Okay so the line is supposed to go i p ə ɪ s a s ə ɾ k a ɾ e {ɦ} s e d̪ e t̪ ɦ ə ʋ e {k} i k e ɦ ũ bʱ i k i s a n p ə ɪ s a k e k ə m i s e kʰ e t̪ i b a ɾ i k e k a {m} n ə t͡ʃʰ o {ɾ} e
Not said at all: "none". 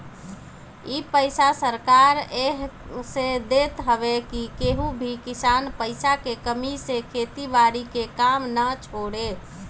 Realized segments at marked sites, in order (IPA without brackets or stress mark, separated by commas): ɦ, k, m, ɽ